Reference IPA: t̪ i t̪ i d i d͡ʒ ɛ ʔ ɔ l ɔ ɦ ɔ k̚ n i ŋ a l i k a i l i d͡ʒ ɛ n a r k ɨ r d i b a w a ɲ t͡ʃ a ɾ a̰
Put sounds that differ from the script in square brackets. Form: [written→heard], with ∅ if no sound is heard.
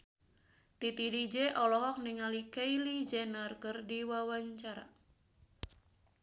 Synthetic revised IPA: t̪ i t̪ i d i d͡ʒ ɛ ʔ ɔ l ɔ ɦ ɔ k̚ n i ŋ a l i k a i l i d͡ʒ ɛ n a r k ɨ r d i [b→w] a w a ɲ t͡ʃ a ɾ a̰